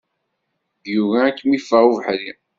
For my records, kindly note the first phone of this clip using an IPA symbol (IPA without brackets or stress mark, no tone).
ð